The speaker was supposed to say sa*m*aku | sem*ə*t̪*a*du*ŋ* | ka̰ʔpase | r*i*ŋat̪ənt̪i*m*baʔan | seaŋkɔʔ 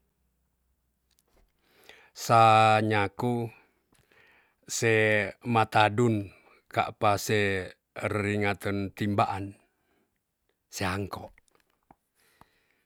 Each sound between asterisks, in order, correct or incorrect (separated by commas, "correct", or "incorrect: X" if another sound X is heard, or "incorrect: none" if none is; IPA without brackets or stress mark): incorrect: ɲ, incorrect: a, correct, incorrect: n, correct, correct